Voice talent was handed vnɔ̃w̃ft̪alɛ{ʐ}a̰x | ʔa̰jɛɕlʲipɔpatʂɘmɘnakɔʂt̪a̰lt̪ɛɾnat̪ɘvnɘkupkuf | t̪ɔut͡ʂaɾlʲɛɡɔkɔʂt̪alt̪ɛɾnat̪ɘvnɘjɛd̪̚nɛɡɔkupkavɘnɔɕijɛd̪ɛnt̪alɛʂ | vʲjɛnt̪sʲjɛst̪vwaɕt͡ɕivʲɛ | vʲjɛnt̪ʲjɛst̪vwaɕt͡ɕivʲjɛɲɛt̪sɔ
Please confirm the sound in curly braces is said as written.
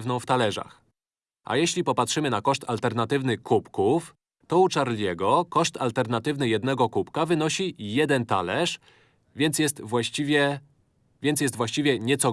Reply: yes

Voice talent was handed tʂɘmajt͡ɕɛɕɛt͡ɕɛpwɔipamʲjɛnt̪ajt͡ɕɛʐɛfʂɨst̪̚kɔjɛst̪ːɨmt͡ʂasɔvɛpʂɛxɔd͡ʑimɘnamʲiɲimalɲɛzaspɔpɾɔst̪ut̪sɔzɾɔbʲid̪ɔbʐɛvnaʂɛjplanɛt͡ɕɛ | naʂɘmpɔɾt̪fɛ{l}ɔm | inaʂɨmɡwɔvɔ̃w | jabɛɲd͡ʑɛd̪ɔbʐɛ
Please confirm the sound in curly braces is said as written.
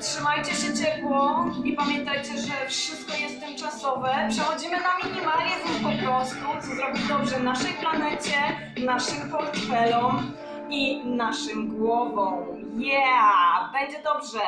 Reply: yes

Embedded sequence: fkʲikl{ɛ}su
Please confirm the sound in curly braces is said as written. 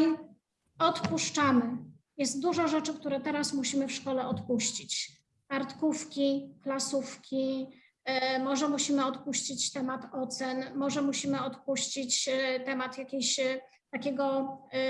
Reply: no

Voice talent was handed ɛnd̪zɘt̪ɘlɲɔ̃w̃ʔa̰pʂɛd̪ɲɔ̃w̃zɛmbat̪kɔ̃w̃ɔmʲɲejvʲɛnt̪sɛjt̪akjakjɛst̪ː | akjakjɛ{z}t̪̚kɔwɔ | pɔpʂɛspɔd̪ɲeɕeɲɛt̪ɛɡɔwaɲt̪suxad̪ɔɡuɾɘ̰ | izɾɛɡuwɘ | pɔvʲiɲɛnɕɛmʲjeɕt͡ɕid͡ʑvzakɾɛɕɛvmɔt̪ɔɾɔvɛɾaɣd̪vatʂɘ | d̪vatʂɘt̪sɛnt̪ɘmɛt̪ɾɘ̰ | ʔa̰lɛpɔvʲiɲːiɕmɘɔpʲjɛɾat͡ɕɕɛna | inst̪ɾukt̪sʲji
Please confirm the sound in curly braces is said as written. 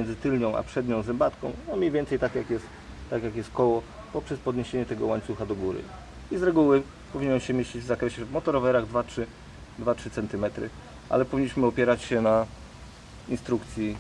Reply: no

